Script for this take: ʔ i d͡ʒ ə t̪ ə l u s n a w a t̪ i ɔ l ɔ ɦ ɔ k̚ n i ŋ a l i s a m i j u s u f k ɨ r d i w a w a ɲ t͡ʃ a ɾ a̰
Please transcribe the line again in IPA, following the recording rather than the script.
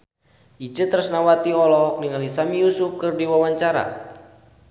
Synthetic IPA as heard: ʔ i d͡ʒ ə t̪ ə ɾ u s n a w a t̪ i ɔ l ɔ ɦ ɔ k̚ n i ŋ a l i s a m i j u s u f k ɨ r d i w a w a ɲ t͡ʃ a ɾ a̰